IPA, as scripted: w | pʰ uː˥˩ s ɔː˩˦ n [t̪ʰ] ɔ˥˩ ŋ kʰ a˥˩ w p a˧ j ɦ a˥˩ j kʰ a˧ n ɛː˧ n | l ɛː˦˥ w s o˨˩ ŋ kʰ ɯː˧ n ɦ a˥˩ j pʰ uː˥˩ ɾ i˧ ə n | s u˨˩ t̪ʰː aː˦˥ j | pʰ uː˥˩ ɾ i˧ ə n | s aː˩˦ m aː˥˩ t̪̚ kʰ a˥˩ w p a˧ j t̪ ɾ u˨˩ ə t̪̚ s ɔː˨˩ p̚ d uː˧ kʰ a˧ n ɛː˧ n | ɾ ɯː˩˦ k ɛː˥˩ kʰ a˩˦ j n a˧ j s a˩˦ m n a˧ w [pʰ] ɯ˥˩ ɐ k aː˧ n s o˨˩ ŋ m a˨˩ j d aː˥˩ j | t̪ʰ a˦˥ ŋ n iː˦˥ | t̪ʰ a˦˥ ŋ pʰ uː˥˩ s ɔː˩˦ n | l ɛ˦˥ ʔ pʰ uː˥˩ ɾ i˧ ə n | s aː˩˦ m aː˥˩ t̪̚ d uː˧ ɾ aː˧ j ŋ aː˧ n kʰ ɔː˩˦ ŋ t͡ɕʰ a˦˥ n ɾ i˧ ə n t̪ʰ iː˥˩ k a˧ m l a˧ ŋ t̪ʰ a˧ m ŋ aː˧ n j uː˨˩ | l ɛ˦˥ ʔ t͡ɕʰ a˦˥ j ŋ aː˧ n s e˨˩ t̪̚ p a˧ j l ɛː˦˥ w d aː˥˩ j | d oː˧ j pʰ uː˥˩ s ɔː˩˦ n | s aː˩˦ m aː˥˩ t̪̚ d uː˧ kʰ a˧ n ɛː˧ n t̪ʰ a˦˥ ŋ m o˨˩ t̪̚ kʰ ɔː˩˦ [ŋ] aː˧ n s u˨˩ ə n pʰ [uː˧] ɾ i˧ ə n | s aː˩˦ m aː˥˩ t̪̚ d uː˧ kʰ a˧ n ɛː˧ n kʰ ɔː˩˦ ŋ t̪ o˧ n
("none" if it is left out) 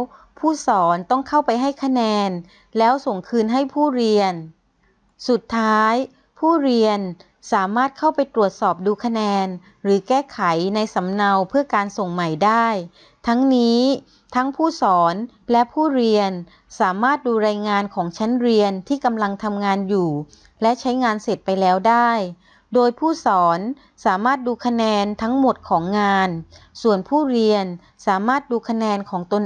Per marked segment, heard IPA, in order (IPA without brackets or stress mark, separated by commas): t̪, pʰ, ŋː, uː˥˩